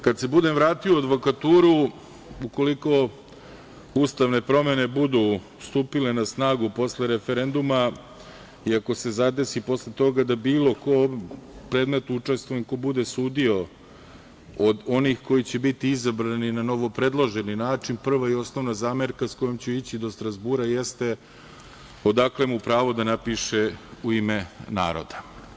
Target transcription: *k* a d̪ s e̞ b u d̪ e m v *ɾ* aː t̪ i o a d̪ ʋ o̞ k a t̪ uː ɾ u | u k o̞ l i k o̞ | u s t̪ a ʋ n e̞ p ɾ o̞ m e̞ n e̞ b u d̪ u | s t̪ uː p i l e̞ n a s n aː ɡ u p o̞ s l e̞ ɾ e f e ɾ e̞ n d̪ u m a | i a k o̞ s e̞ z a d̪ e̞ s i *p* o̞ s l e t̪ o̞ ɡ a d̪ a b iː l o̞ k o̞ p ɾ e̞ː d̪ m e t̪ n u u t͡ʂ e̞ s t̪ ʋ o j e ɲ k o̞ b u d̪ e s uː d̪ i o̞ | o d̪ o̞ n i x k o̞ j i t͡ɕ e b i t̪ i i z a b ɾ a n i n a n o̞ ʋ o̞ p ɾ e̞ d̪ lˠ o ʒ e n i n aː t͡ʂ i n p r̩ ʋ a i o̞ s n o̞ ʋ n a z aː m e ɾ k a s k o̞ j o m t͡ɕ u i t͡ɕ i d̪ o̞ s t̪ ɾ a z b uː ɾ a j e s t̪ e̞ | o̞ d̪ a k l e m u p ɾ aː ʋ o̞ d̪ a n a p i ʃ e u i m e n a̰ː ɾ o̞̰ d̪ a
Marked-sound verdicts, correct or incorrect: correct, correct, correct

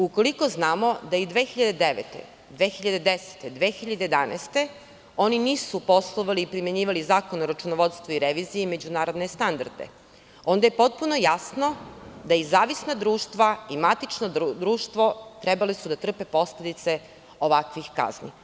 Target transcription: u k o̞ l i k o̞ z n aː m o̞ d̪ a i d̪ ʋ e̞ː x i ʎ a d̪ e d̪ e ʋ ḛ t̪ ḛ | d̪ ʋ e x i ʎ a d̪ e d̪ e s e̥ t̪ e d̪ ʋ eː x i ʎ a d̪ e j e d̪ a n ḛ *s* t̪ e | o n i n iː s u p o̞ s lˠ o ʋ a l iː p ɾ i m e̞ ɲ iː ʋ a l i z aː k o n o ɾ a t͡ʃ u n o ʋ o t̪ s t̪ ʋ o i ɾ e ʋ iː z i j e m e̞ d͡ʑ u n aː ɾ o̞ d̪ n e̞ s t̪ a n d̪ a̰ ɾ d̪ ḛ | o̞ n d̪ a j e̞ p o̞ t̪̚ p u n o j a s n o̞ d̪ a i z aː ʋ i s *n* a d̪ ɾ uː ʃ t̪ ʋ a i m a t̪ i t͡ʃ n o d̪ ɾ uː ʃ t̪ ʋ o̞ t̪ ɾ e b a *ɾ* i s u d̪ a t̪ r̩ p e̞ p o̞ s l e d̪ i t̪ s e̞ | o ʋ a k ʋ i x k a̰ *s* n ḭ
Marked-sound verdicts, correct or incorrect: correct, correct, incorrect: l, incorrect: z

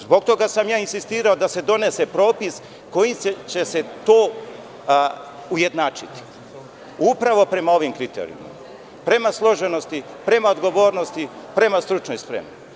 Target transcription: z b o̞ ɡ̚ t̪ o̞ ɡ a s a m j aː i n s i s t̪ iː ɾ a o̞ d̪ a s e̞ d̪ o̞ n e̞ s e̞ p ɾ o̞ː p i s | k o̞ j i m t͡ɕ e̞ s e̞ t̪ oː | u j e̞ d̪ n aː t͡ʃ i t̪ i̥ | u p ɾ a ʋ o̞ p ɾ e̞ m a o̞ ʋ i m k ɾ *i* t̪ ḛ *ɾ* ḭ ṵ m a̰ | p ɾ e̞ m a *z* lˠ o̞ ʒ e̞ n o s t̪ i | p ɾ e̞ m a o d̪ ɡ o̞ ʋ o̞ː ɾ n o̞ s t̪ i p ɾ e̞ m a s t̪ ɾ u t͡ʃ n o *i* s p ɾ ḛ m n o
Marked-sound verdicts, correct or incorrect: correct, correct, incorrect: s, incorrect: j

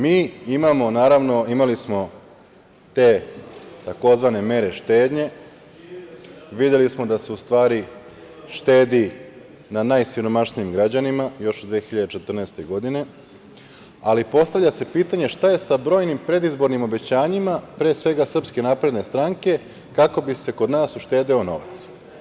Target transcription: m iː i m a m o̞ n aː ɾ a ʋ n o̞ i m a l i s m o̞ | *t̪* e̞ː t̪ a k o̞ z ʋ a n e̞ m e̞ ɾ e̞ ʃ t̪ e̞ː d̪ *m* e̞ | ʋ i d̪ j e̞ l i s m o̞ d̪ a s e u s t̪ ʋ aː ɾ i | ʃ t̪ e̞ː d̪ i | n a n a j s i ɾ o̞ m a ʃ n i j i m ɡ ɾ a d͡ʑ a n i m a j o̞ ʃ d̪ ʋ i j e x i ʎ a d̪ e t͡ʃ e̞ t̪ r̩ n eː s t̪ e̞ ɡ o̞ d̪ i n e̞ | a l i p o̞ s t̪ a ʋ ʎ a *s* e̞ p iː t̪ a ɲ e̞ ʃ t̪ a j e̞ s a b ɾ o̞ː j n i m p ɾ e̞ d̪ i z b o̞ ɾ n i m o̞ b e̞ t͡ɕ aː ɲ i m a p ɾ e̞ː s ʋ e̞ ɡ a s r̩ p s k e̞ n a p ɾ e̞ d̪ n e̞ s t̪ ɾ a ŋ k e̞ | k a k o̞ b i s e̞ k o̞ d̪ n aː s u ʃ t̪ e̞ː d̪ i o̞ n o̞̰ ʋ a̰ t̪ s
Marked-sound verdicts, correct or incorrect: correct, incorrect: ɲ, correct

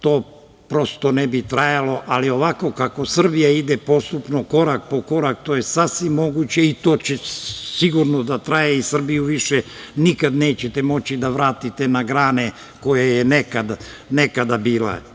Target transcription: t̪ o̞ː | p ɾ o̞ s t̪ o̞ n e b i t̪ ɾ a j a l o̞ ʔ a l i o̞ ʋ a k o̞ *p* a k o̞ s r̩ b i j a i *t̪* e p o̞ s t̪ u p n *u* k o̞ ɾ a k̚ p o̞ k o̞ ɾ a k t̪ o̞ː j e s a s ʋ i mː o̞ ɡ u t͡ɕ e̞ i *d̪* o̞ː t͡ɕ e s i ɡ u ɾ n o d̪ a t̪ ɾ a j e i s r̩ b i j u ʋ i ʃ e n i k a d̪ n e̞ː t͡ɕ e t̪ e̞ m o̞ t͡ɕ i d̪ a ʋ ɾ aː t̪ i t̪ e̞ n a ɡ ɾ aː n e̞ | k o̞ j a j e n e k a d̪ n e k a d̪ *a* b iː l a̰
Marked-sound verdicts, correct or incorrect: incorrect: k, incorrect: d̪, incorrect: o, incorrect: t̪, correct

